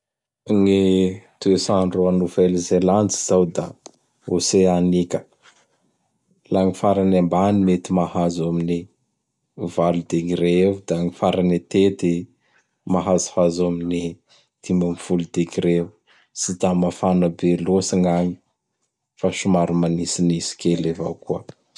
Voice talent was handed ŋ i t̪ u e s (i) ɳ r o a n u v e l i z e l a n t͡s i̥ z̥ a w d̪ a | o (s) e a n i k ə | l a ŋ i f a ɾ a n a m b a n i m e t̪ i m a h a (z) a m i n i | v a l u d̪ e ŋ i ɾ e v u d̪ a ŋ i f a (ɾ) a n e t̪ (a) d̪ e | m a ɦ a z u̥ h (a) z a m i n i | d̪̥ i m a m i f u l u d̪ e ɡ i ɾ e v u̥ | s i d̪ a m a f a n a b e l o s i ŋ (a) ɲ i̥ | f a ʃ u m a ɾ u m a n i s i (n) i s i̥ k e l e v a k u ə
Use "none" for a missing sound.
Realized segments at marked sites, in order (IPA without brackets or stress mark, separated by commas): a, s, z, ɾ, e, a, a, n